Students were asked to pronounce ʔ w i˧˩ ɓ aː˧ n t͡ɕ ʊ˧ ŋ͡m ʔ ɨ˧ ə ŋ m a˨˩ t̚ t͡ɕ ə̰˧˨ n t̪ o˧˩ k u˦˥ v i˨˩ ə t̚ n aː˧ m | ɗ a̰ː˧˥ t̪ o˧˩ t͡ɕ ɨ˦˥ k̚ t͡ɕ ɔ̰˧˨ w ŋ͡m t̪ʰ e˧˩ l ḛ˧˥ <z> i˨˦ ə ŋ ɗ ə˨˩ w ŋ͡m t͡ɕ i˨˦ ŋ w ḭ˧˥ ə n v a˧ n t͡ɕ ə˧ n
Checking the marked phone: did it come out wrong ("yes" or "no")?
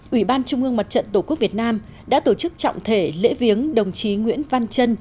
yes